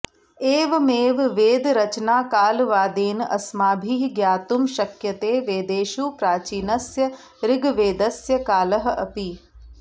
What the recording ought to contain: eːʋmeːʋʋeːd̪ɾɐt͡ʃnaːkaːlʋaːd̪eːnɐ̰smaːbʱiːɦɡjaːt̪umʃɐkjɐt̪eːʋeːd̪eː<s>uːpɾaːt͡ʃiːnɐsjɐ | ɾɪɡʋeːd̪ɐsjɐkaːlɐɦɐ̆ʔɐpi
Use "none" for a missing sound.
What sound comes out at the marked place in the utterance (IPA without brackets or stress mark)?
ʃ